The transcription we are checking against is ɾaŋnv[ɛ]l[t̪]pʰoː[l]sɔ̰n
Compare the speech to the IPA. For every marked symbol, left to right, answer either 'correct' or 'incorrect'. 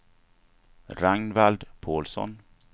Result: incorrect, incorrect, correct

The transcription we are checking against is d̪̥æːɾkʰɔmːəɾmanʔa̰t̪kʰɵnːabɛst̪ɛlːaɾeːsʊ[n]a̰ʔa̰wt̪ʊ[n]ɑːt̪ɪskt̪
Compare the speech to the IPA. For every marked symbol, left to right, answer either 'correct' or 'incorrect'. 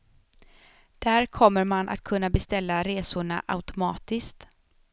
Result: incorrect, incorrect

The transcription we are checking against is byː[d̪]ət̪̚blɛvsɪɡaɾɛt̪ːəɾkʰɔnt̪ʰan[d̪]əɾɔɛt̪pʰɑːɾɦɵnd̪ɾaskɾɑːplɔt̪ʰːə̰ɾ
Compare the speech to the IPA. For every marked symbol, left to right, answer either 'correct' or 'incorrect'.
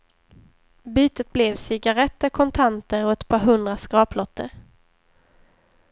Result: incorrect, incorrect

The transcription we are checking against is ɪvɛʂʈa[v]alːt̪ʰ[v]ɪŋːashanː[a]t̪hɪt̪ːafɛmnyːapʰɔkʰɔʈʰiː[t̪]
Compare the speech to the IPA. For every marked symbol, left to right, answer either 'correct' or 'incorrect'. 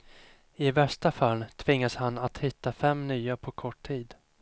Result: incorrect, correct, correct, incorrect

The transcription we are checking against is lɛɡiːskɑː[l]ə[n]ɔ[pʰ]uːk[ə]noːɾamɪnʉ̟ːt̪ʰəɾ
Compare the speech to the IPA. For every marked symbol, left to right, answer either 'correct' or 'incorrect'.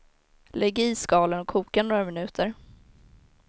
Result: correct, correct, incorrect, incorrect

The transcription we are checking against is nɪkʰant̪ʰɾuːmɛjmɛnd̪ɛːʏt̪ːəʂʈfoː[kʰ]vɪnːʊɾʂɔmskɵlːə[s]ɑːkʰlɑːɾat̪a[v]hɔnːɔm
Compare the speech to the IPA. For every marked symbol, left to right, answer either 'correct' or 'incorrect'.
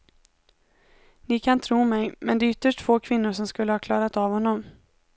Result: correct, incorrect, correct

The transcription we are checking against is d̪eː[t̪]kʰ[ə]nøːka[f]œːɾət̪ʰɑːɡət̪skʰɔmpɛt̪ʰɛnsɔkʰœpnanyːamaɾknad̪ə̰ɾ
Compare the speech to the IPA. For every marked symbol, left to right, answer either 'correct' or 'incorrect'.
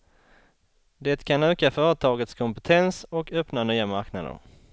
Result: correct, incorrect, correct

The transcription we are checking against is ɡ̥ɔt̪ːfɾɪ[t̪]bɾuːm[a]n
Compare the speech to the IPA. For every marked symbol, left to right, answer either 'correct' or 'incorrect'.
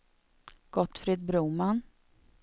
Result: incorrect, correct

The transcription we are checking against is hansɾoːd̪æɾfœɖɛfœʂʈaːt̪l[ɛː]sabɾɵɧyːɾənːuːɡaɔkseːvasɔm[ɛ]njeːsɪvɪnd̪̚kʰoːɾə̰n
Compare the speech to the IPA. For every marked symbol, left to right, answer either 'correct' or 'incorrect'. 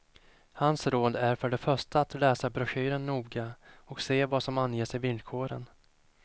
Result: correct, incorrect

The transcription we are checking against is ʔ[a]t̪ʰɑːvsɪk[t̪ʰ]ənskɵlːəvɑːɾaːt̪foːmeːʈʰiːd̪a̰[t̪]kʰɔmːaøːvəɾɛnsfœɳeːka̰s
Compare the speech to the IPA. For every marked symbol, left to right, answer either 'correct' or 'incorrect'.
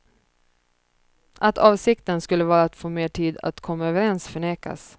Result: correct, incorrect, correct

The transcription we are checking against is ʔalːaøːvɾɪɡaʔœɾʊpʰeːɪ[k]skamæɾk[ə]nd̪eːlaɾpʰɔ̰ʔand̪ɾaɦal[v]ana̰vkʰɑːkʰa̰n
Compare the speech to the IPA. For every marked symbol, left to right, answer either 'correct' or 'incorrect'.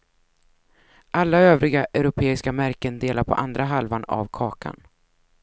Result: incorrect, correct, correct

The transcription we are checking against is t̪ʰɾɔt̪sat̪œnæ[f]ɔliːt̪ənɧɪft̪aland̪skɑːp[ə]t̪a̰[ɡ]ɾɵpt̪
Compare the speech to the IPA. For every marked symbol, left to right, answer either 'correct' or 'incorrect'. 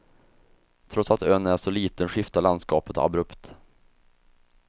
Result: incorrect, correct, incorrect

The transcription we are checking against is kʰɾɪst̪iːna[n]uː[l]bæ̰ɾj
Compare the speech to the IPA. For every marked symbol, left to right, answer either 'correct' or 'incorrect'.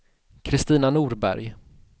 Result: correct, incorrect

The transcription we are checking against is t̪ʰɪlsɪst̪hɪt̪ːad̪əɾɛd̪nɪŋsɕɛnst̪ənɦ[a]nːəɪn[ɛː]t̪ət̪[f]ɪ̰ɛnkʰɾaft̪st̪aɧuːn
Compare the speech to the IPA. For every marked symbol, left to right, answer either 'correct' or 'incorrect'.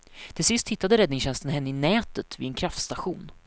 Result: incorrect, correct, incorrect

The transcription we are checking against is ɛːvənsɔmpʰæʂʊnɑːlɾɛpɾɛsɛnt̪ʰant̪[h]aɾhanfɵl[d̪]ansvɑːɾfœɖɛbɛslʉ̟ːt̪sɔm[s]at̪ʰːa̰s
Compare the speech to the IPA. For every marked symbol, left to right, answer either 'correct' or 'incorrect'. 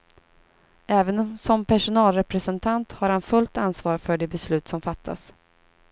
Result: correct, incorrect, incorrect

